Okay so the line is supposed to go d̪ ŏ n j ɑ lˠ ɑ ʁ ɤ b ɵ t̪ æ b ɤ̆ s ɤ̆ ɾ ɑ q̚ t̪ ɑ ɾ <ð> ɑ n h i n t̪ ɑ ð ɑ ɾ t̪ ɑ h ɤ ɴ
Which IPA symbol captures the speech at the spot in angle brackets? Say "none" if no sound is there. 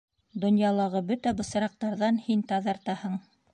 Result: ð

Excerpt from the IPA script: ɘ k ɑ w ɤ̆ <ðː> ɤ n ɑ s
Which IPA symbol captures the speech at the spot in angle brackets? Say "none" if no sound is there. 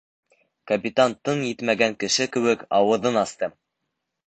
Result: ð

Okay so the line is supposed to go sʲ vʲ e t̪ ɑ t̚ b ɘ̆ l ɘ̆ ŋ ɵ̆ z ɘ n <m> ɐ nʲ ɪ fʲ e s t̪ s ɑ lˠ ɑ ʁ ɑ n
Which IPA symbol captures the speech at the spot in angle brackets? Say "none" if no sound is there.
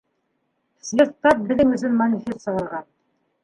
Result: m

